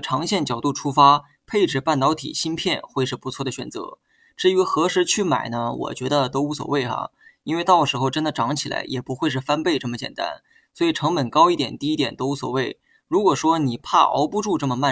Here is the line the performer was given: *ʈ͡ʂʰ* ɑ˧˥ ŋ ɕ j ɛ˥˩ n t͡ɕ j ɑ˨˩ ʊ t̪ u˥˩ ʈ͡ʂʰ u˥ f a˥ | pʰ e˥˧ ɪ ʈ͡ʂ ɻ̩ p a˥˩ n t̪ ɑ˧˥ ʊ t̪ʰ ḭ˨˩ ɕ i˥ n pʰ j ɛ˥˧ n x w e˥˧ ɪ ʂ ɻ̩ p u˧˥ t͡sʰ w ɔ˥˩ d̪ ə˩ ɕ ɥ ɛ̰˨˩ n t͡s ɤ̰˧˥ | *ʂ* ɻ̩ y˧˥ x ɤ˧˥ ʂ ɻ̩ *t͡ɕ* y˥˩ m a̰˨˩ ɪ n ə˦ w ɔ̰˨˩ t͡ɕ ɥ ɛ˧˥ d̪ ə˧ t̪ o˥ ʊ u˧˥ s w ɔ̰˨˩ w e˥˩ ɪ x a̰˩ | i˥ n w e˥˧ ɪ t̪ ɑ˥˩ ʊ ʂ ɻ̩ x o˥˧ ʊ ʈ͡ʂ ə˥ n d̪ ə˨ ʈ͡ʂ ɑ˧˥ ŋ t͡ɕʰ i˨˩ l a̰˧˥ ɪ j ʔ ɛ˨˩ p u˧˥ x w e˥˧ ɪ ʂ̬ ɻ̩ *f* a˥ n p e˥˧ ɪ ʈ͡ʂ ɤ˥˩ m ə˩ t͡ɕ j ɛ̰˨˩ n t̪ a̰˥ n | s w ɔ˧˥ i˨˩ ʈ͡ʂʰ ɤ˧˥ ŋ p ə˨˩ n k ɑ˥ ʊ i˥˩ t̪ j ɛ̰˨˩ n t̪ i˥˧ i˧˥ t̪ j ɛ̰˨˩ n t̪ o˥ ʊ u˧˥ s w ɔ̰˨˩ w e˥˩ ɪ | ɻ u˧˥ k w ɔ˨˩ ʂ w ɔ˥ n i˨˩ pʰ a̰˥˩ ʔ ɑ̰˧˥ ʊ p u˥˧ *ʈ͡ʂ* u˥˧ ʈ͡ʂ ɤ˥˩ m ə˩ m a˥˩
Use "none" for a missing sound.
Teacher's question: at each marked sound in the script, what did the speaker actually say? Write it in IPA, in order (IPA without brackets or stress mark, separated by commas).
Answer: ʈ͡ʂʰ, ʈ͡ʂ, t͡ɕʰ, f, ʈ͡ʂ